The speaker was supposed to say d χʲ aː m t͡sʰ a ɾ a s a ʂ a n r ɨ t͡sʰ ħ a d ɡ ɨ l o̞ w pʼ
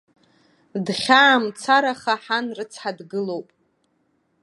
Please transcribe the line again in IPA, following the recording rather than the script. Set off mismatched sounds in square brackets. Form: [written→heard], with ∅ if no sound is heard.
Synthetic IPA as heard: d χʲ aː m t͡sʰ a ɾ a [s→χ] a [ʂ→ħ] a n r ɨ t͡sʰ ħ a d ɡ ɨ l o̞ w pʼ

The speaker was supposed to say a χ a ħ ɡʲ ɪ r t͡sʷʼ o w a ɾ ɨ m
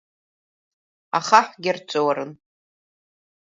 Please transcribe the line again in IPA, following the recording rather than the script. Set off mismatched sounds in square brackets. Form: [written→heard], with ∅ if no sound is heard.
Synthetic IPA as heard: a χ a ħ ɡʲ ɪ r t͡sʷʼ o w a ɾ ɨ [m→n]

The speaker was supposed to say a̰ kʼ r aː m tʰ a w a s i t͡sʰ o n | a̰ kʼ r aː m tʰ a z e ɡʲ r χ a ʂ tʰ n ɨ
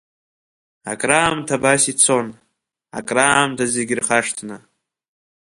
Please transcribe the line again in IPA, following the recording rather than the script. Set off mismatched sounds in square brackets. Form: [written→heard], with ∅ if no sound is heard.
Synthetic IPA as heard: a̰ kʼ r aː m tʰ a [w→b] a s i t͡sʰ o n | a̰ kʼ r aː m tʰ a z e ɡʲ r χ a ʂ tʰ n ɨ

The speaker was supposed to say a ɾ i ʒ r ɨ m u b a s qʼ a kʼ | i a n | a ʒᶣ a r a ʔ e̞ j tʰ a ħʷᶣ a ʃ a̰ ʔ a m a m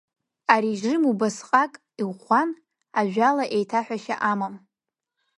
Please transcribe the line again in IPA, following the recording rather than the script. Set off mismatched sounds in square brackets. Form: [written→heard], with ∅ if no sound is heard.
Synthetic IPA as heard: a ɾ i ʒ r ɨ m u b a s qʼ a kʼ | i a n | a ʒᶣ a [r→l] a ʔ e̞ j tʰ a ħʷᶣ a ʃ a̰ ʔ a m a m

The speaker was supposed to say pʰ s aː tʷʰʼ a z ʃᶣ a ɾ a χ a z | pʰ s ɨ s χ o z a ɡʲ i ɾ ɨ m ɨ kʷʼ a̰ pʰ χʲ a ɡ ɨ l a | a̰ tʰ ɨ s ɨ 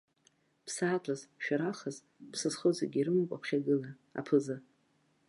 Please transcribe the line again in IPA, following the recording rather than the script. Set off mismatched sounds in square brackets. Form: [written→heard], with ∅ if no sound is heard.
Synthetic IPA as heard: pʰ s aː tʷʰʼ a z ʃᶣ a ɾ a χ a z | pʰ s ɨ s χ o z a ɡʲ i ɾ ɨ m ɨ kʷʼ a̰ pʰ χʲ a ɡ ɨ l a | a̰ [tʰ→pʰ] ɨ [s→z] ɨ

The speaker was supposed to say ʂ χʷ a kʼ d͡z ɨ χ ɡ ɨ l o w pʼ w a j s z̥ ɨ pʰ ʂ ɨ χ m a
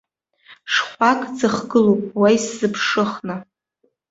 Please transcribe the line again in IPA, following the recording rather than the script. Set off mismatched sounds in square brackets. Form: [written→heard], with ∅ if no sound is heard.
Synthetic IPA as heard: ʂ χʷ a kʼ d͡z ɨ χ ɡ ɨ l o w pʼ w a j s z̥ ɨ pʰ ʂ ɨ χ [m→n] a

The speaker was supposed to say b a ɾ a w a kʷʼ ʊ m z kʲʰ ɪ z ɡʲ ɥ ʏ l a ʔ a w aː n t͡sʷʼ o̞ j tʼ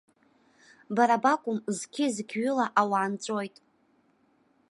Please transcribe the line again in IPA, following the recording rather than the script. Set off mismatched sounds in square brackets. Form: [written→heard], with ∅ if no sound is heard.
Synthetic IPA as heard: b a ɾ a [w→b] a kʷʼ ʊ m z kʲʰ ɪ z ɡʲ ɥ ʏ l a ʔ a w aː n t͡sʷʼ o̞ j tʼ

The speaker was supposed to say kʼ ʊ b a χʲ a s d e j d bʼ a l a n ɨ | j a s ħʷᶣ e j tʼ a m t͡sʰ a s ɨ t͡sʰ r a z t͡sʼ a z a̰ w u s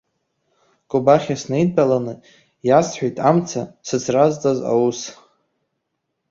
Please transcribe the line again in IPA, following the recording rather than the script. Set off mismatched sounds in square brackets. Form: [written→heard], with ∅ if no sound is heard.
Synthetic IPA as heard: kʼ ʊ b a χʲ a s [d→n] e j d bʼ a l a n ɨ | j a s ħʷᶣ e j tʼ a m t͡sʰ a s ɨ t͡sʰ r a z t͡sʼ a z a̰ w u s

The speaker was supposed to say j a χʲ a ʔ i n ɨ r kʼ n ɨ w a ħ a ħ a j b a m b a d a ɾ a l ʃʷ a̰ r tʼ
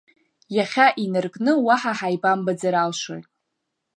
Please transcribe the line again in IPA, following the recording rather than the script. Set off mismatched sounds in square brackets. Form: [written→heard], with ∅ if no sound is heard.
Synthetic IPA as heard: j a χʲ a ʔ i n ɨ r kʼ n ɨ w a ħ a ħ a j b a m b a [d→d͡z] a ɾ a l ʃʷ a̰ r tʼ

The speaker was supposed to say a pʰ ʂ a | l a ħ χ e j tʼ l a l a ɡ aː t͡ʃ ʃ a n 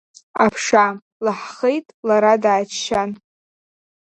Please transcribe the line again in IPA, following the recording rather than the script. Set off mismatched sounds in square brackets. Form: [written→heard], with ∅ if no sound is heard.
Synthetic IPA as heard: a pʰ ʂ a | l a ħ χ e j tʼ l a [l→ɾ] a [ɡ→d] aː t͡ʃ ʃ a n

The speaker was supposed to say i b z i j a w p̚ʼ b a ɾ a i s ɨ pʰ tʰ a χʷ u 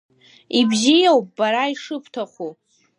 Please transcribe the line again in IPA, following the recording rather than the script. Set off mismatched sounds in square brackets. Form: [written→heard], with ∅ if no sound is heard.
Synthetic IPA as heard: i b z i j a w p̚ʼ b a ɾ a i [s→ʂ] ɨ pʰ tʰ a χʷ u

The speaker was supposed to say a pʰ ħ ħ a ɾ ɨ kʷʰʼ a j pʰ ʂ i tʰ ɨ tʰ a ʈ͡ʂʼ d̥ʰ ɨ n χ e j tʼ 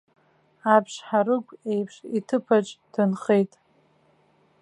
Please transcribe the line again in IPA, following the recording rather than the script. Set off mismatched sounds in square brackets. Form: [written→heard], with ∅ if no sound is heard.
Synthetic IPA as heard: a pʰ [ħ→ʂ] ħ a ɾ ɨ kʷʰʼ [a→e] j pʰ ʂ i tʰ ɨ [tʰ→pʰ] a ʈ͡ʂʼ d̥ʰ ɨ n χ e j tʼ

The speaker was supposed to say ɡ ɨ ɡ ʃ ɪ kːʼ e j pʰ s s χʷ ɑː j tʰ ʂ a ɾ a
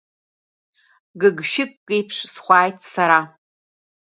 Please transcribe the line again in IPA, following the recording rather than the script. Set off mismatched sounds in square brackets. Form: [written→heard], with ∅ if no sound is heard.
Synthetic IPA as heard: ɡ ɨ ɡ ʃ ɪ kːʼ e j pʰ [s→ʂ] s χʷ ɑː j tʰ [ʂ→s] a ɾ a

